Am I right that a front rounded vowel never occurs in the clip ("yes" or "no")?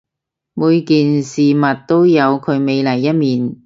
yes